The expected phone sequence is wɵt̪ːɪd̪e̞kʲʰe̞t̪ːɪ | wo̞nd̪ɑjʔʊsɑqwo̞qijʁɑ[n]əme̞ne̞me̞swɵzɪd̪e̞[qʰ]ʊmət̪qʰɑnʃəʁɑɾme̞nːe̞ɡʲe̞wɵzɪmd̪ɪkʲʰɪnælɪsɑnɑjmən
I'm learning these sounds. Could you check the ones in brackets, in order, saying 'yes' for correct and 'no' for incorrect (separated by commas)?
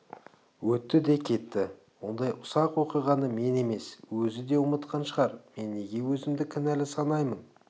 yes, no